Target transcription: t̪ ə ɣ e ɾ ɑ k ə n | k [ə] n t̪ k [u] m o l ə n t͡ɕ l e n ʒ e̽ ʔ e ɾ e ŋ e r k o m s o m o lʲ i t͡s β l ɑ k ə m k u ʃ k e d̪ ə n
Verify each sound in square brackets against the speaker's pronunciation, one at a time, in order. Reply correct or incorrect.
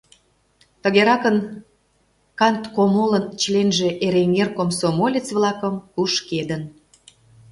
incorrect: ɑ, incorrect: o

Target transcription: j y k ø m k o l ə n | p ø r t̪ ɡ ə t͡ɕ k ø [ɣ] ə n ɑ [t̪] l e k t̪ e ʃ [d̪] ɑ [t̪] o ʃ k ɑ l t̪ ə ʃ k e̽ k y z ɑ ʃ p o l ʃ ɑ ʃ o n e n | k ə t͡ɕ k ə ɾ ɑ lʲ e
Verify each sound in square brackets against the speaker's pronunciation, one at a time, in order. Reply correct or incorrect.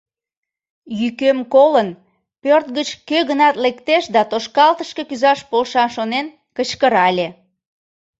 correct, correct, correct, correct

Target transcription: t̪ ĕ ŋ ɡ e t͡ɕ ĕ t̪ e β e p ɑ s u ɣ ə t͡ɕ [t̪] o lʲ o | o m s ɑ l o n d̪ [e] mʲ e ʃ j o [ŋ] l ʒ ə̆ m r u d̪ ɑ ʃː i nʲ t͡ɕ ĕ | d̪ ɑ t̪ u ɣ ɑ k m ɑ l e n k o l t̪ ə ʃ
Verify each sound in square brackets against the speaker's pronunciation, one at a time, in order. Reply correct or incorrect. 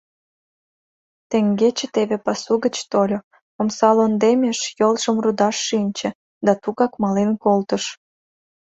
correct, correct, incorrect: none

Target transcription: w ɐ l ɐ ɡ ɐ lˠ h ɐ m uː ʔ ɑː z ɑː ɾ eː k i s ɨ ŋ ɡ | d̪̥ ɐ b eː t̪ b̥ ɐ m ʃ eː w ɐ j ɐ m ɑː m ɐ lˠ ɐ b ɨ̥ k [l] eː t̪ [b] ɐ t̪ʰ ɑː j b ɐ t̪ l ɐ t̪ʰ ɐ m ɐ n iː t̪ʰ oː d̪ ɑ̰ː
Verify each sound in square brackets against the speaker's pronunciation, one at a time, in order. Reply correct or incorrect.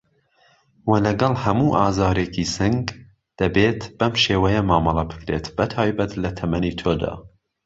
incorrect: ɾ, correct

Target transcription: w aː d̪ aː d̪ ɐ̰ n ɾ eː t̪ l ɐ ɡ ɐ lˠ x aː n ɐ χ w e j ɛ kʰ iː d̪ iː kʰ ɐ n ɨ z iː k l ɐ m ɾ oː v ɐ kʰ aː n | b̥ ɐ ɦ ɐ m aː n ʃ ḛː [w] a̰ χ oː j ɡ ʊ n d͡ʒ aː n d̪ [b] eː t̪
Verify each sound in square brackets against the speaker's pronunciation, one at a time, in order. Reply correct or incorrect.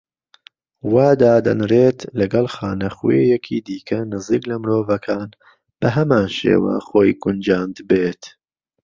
correct, correct

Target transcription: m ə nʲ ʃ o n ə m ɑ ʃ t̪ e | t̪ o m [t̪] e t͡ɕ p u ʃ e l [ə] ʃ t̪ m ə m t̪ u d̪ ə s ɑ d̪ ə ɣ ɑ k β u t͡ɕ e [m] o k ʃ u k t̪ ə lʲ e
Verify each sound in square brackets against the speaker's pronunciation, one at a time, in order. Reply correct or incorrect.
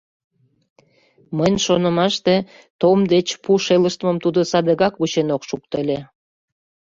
incorrect: d̪, correct, incorrect: n

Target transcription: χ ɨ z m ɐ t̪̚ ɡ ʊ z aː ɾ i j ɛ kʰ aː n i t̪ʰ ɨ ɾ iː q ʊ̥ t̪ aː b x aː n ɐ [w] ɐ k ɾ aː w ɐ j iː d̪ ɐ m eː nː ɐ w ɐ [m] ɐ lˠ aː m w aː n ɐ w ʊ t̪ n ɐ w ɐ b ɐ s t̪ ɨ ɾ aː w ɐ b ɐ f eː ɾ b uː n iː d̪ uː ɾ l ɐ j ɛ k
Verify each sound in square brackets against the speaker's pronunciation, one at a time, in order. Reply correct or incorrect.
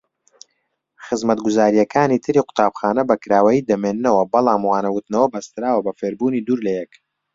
incorrect: b, incorrect: b

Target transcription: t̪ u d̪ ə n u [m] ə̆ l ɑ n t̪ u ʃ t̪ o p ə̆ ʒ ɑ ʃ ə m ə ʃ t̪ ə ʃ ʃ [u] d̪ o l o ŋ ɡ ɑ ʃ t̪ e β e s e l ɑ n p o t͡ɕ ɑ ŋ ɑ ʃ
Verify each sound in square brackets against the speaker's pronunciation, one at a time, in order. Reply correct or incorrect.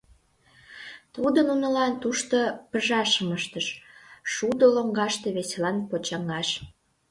incorrect: n, correct

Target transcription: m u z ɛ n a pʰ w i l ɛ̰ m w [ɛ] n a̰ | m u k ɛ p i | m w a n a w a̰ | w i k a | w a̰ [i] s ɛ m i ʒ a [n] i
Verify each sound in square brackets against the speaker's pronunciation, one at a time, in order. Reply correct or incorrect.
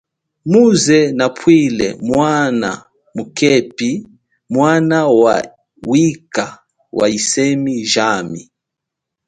incorrect: a, correct, incorrect: m

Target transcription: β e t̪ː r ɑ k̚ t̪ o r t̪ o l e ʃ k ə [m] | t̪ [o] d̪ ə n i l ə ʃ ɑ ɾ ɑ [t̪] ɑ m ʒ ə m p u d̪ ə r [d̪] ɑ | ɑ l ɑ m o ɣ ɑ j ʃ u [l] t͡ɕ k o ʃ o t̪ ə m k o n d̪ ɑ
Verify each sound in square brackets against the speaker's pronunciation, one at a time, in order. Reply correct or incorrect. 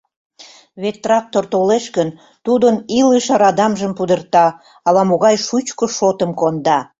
incorrect: n, incorrect: u, incorrect: d̪, incorrect: t̪, incorrect: none

